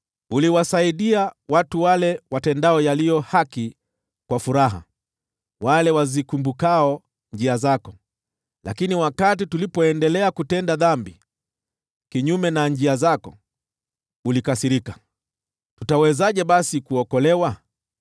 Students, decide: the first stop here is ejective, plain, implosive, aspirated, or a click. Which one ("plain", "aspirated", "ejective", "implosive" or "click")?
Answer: implosive